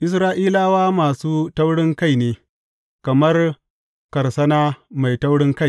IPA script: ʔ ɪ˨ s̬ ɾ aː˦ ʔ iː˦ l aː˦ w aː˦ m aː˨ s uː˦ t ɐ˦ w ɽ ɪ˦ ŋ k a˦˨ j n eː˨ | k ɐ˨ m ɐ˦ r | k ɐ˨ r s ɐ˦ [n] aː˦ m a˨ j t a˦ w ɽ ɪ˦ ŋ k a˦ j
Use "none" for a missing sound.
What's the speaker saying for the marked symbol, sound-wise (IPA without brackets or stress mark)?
n